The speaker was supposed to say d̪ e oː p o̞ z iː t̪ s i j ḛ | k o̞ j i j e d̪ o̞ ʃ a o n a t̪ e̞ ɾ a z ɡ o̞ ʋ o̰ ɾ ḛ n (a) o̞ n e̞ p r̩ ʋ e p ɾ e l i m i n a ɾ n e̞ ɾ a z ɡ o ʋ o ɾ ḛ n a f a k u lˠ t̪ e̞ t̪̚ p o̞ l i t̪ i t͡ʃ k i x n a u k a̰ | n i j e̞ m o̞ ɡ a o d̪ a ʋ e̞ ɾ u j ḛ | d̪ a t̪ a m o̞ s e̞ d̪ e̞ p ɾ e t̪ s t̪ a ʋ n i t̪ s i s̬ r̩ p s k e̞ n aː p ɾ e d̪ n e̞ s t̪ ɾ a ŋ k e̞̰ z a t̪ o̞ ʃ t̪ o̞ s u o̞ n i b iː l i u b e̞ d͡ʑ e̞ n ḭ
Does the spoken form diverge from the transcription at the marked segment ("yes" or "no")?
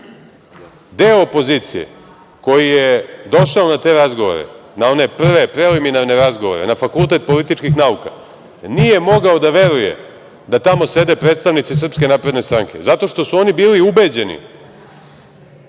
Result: no